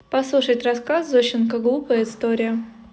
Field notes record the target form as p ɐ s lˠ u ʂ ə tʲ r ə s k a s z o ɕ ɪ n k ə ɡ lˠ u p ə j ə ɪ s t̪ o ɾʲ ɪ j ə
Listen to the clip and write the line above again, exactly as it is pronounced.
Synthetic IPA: p ɐ s lˠ u ʂ ə tʲ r ɐ s k a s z o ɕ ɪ n k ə ɡ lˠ u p ə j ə ɪ s t̪ o ɾʲ ɪ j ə